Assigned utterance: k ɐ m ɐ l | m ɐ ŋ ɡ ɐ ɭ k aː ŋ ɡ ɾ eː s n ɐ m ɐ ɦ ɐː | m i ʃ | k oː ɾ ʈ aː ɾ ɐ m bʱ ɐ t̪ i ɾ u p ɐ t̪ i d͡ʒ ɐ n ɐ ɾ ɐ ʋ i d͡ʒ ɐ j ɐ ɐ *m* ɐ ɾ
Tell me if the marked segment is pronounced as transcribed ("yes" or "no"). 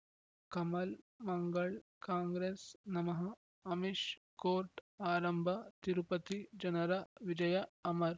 yes